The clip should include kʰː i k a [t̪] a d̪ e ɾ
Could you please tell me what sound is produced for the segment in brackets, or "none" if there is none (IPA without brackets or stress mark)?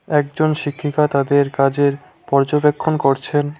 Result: t̪